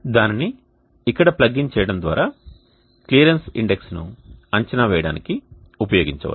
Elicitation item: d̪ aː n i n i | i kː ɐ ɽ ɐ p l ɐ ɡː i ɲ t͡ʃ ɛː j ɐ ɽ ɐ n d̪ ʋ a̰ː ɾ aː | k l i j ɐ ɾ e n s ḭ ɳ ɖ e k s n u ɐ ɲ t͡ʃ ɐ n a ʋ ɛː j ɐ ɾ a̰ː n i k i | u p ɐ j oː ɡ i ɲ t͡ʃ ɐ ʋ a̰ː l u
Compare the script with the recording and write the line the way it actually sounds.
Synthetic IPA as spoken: d̪ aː n i n i | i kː ɐ ɽ ɐ p l ɐ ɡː i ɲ t͡ʃ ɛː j ɐ ɽ ɐ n d̪ ʋ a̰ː ɾ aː | k l i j ɐ ɾ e n s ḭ ɳ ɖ e k s n u ɐ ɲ t͡ʃ ɐ n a ʋ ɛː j ɐ ɽ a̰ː n i k i | u p ɐ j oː ɡ i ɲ t͡ʃ ɐ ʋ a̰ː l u